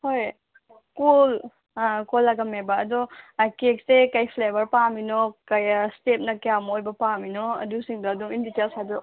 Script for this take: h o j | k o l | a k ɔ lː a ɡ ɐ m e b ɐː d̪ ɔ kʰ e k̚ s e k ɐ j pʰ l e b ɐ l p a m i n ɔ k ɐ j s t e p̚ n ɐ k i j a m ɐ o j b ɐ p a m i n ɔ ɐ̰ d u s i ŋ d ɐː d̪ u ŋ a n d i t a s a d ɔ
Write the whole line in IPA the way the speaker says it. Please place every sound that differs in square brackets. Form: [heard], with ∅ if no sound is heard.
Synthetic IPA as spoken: h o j | k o l | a k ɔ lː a ɡ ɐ m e b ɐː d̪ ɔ [k] e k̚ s e k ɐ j pʰ l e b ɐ [ɾ] p a m i n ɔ k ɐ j s t e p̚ n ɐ k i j a m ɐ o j b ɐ p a m i n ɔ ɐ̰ d u s i ŋ d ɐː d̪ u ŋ [i] n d i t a s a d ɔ